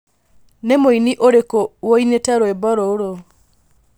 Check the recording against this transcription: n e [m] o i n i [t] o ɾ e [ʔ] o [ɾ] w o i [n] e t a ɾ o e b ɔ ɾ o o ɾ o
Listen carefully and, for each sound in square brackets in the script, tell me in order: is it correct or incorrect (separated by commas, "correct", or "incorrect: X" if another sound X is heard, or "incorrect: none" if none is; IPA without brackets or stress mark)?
correct, incorrect: ʔ, incorrect: k, incorrect: none, correct